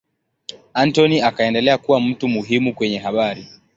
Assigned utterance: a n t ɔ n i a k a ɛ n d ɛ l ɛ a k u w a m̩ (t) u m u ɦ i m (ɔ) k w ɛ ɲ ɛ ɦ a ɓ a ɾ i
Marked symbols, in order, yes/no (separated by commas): yes, no